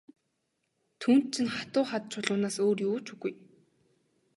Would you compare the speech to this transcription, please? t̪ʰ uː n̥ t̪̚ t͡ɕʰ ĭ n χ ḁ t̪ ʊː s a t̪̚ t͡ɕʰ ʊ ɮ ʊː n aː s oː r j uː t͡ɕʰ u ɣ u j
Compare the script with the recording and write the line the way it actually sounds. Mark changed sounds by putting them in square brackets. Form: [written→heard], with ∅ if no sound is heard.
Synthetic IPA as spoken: t̪ʰ uː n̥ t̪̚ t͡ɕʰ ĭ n χ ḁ t̪ ʊː [s→χ] a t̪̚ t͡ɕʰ ʊ ɮ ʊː n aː s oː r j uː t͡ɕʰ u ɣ u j

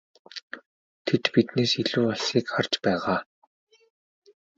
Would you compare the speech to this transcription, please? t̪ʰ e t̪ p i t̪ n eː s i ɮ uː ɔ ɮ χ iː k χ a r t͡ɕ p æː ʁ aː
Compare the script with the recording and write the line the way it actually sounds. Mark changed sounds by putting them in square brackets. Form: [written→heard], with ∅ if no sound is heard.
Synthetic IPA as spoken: t̪ʰ e t̪ p i t̪ n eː s i ɮ uː ɔ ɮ [χ→s] iː k χ a r t͡ɕ p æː ʁ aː

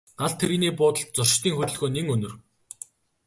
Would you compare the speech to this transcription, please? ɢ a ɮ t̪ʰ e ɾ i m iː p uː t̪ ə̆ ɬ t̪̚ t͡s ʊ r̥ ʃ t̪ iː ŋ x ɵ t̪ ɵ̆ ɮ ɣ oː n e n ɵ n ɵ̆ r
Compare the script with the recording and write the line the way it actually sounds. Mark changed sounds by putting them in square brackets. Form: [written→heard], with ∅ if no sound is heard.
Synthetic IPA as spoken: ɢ a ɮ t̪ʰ e ɾ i [m→n] iː p [uː→ʊː] t̪ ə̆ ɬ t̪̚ t͡s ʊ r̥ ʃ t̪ iː ŋ x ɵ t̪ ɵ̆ ɮ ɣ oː n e [n→ŋ] ɵ n ɵ̆ r

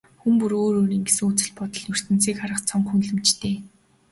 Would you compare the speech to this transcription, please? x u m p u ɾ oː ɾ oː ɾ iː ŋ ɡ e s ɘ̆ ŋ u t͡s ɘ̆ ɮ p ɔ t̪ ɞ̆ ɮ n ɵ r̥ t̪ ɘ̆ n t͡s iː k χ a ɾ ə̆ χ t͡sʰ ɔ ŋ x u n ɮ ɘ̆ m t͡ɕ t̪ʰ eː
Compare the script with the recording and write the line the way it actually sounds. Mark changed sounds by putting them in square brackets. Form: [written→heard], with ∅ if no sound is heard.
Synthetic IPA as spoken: x u m p u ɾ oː ɾ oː ɾ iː ŋ ɡ e s ɘ̆ ŋ u t͡s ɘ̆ ɮ p ɔ t̪ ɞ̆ ɮ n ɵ r̥ t̪ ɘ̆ n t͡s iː k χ a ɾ ə̆ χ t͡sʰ ɔ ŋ x u n ɮ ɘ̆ m t͡ɕ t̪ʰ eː

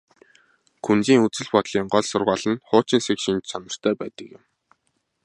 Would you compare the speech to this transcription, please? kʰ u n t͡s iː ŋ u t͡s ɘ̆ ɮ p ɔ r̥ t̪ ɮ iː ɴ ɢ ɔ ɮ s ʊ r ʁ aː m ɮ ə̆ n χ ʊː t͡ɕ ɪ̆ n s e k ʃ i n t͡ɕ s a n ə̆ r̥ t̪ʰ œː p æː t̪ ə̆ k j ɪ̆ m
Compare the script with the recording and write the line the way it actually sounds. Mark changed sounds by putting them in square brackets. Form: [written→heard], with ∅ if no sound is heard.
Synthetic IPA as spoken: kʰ u n t͡s iː ŋ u t͡s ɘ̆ ɮ p ɔ [r̥→∅] t̪ ɮ iː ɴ ɢ ɔ ɮ s ʊ r ʁ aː [m→∅] ɮ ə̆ n χ ʊː t͡ɕ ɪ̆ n s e k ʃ i n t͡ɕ s a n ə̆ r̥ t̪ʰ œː p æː t̪ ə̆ k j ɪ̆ m

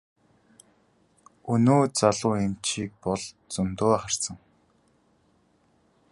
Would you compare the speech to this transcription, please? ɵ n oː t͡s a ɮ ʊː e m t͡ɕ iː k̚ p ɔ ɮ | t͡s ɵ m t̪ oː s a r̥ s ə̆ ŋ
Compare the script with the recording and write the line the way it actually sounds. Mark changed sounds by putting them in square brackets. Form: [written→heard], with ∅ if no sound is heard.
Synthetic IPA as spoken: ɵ n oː t͡s a ɮ ʊː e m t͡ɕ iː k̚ p ɔ ɮ | t͡s ɵ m t̪ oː [s→χ] a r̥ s ə̆ ŋ

